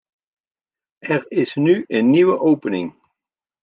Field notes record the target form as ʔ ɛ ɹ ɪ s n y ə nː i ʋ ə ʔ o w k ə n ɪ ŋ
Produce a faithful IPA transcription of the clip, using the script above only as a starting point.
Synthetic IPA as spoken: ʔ ɛ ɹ ɪ s n y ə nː i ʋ ə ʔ o w p ə n ɪ ŋ